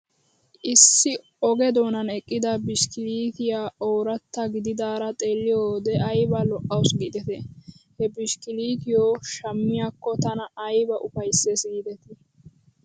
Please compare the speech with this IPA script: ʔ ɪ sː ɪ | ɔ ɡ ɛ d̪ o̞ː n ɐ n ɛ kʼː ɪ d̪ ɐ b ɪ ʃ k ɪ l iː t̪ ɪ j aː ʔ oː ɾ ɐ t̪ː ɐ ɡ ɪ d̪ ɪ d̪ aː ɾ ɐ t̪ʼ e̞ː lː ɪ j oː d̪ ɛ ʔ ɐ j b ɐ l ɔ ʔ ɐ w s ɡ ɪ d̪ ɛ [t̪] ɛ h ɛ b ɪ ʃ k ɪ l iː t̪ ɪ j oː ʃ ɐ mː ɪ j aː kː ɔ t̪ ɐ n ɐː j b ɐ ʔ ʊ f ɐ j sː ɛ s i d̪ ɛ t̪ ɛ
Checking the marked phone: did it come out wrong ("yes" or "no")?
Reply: no